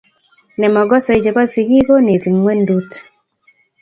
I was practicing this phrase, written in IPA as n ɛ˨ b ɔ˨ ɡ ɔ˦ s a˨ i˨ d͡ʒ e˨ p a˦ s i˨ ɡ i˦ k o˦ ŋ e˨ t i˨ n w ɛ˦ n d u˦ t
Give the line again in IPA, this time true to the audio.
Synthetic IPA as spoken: n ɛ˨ m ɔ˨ ɡ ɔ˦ s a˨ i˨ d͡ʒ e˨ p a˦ s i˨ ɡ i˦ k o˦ n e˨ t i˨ ŋ w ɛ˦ n d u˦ t